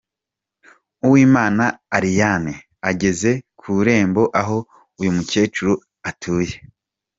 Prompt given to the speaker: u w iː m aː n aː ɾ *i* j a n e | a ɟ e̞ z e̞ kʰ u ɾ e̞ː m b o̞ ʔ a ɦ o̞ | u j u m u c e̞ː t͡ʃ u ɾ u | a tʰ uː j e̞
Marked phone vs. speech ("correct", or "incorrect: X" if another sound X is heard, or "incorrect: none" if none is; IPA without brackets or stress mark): correct